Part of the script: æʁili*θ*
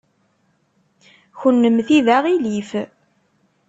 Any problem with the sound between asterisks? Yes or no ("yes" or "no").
yes